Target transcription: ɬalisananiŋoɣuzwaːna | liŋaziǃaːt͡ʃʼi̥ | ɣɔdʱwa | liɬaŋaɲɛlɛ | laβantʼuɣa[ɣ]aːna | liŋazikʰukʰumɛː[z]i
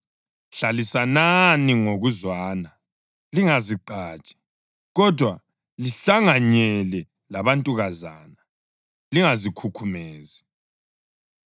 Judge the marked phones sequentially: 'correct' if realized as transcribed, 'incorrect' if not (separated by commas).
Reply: incorrect, correct